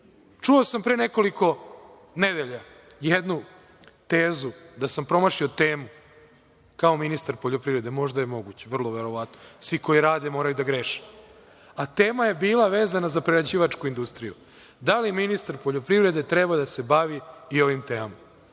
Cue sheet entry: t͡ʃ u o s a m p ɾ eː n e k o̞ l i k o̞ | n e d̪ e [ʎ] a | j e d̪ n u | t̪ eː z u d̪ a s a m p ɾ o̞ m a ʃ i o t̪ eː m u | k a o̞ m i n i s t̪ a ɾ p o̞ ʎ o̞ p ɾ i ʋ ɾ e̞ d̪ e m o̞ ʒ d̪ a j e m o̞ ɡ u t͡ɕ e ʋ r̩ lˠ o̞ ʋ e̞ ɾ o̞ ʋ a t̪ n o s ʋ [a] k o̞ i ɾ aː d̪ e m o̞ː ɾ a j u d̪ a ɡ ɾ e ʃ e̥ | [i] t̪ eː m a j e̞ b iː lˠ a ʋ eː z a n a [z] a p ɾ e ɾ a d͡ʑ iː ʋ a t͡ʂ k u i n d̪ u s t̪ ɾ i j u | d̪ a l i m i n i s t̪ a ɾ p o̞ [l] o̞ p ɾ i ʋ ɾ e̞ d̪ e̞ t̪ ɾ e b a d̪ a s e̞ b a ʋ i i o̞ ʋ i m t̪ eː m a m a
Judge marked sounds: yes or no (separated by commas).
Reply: yes, no, no, yes, no